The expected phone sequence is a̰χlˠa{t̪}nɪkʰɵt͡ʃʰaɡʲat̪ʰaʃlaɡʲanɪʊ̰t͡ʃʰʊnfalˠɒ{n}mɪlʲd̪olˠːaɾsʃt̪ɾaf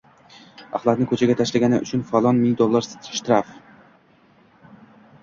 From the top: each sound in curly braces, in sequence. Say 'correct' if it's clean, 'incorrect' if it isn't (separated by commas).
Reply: correct, correct